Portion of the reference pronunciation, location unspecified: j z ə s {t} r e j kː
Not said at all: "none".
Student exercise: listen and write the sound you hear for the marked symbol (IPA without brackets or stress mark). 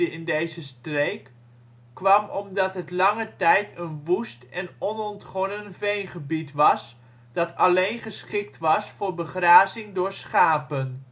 t